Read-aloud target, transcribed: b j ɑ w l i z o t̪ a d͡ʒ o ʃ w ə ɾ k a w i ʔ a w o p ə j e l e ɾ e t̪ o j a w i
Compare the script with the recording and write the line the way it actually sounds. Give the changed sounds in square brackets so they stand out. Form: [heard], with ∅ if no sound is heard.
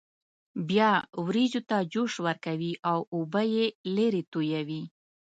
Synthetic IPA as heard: b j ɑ w [ɾ] i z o t̪ a d͡ʒ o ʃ w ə ɾ k a w i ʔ a w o [b] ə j e l e ɾ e t̪ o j a w i